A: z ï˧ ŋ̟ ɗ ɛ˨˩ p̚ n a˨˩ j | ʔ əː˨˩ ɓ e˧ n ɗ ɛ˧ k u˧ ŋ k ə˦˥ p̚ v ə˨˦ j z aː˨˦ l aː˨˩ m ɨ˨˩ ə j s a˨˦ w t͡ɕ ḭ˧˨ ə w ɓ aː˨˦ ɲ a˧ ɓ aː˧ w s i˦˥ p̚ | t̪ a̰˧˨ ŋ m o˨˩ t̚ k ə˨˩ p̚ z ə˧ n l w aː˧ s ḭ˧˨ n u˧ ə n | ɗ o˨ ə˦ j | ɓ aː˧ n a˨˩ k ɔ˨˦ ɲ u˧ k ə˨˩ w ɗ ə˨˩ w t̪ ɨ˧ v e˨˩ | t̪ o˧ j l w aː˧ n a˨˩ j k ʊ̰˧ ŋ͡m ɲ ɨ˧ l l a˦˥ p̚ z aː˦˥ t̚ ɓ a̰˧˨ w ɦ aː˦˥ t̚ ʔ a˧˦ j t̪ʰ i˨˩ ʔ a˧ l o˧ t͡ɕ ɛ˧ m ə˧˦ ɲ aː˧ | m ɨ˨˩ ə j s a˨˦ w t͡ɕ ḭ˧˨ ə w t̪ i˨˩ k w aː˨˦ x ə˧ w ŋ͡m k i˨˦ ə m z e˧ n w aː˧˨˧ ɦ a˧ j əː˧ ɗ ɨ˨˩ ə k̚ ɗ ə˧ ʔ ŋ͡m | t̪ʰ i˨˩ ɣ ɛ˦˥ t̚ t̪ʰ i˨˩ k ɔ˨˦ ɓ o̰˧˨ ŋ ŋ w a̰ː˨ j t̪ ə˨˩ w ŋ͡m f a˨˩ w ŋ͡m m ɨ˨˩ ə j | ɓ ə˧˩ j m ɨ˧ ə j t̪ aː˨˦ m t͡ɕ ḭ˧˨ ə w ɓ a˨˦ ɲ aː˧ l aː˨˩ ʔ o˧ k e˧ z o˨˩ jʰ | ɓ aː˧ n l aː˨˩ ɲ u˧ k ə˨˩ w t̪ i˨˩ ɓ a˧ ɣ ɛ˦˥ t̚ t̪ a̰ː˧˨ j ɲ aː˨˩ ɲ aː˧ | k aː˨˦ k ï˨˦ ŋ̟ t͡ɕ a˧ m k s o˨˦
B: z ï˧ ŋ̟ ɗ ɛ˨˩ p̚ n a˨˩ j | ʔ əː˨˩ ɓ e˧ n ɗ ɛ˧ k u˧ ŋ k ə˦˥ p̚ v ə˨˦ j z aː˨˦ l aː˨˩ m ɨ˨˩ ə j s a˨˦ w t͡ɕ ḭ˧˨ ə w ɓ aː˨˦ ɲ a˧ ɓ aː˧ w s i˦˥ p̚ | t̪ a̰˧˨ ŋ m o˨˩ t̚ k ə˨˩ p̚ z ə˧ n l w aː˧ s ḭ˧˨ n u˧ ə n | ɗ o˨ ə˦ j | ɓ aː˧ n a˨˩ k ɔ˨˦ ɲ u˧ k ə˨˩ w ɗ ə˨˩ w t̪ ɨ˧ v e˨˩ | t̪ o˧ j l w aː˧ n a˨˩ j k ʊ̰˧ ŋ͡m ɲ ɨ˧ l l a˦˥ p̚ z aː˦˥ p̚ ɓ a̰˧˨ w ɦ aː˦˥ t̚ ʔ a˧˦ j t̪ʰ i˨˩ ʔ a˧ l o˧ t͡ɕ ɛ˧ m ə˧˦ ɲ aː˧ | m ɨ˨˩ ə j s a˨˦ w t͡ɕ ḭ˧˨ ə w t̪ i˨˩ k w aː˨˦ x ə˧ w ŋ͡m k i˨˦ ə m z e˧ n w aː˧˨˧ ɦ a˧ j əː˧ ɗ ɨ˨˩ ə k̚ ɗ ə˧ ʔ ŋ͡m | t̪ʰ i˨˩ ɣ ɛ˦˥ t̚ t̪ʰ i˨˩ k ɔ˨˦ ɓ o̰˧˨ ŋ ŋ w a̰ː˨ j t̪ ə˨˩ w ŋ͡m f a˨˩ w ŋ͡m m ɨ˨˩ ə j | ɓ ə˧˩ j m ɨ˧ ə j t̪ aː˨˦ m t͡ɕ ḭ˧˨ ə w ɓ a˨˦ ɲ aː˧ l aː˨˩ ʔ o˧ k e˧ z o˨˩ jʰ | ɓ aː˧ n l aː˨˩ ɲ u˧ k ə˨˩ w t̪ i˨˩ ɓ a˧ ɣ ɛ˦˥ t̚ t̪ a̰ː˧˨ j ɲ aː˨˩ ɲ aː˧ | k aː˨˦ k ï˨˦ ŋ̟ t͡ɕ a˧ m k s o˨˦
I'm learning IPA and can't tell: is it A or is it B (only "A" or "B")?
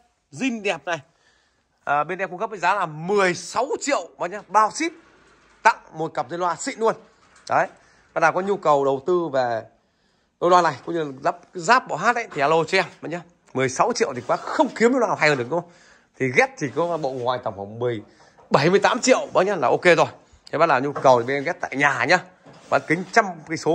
B